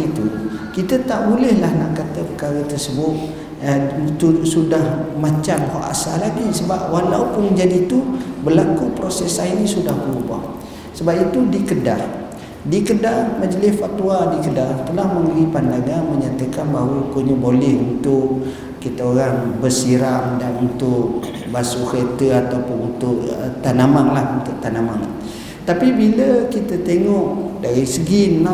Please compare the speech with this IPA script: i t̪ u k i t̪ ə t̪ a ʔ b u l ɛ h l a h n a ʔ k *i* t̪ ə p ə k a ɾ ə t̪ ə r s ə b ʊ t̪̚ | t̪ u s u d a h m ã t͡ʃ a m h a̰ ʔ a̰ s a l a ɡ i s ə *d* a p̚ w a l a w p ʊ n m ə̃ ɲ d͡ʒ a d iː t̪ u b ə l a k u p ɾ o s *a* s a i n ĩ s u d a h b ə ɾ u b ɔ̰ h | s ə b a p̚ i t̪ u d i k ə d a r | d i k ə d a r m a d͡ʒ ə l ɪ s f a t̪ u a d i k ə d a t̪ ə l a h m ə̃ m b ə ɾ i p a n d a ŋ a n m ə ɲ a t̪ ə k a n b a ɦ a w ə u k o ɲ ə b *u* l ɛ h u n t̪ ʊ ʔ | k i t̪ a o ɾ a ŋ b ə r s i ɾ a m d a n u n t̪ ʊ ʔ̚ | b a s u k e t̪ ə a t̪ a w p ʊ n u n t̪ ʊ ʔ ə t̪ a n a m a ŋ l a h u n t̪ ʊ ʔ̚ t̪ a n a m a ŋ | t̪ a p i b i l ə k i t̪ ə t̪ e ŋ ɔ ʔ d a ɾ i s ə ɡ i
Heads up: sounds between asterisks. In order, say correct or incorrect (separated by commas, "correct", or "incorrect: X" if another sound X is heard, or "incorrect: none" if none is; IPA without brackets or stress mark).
incorrect: a, incorrect: b, incorrect: ɛ, incorrect: o